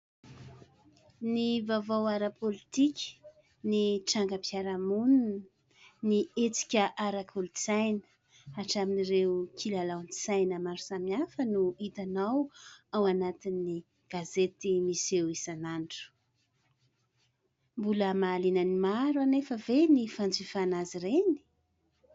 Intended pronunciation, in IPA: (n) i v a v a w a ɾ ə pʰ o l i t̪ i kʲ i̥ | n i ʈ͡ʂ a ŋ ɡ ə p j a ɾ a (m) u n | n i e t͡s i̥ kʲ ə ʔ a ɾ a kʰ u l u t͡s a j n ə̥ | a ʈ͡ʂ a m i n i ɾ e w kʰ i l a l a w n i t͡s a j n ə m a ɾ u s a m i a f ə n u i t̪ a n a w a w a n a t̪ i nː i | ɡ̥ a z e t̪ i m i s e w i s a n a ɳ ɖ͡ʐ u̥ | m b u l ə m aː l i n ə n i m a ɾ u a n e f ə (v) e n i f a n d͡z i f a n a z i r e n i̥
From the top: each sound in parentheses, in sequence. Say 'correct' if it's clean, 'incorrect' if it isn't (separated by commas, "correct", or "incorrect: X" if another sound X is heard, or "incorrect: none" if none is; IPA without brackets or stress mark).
correct, correct, correct